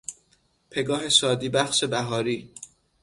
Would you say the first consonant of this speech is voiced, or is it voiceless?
voiceless